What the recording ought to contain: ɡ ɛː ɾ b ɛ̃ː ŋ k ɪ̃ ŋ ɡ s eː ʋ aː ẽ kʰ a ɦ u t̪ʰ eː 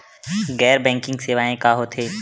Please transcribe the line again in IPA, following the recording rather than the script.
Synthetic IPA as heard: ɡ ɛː ɾ b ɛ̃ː ŋ k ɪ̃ ŋ ɡ s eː ʋ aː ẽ k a ɦ o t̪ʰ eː